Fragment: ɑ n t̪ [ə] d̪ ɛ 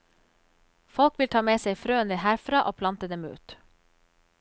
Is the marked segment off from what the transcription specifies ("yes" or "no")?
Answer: no